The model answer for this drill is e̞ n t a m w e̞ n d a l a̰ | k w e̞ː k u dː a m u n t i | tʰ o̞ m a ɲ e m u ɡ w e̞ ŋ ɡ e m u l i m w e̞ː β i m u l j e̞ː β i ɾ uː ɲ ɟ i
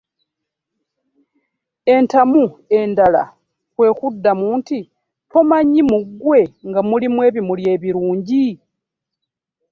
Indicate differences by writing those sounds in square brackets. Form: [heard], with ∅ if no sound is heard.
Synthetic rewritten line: e̞ n t a m [u] e̞ n d a l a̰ | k w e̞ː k u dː a m [uː] n t i | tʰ o̞ m a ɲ [i] m u ɡ w e̞ ŋ ɡ [a] m u l i m w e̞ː β i m u l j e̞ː β i ɾ uː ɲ ɟ i